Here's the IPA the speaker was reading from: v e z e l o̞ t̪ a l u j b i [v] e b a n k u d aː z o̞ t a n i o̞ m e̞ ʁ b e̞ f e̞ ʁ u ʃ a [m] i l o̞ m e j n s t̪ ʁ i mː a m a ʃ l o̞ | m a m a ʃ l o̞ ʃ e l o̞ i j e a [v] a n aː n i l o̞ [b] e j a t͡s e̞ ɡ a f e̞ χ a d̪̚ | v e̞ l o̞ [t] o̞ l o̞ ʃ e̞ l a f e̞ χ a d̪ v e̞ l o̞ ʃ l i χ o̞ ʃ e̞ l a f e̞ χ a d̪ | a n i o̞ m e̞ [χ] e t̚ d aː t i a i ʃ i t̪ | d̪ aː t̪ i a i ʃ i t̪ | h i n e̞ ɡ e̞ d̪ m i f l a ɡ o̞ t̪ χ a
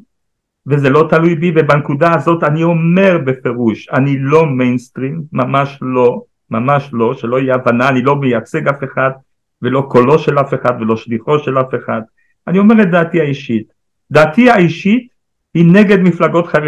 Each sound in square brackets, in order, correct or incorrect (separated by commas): correct, incorrect, correct, incorrect, incorrect, incorrect